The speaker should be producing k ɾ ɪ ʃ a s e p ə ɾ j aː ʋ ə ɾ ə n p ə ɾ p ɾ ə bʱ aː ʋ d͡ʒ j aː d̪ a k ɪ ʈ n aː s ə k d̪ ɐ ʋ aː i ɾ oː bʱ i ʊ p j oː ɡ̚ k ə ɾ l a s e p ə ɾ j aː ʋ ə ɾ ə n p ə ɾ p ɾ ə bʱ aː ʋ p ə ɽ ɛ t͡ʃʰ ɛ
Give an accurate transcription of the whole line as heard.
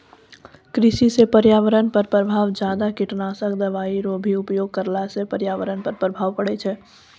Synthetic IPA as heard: k ɾ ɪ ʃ i s e p ə ɾ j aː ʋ ə ɾ ə n p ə ɾ p ɾ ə bʱ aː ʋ d͡ʒ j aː d̪ a k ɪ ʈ n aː s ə k d̪ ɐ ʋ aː i ɾ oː bʱ i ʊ p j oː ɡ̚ k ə ɾ l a s e p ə ɾ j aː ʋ ə ɾ ə n p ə ɾ p ɾ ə bʱ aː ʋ p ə ɽ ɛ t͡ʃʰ ɛ